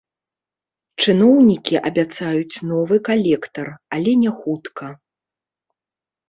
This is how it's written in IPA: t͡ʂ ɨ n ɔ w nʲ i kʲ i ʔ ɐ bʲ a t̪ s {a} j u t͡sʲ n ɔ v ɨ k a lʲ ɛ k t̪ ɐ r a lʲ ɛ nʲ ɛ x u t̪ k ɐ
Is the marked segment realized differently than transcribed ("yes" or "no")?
no